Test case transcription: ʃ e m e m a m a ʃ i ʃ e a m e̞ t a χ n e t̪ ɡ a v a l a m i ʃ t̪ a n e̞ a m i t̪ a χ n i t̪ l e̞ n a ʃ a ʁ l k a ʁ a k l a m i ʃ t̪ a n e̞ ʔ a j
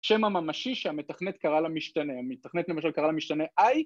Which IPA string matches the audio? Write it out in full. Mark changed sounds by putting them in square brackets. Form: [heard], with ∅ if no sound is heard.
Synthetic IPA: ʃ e m [a] m a m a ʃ i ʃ e a m e̞ t a χ n e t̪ [k] a [ʁ] a l a m i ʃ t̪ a n e̞ a m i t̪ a χ n [e] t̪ l e̞ [m] a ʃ a [∅] l k a ʁ a [∅] l a m i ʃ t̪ a n e̞ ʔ a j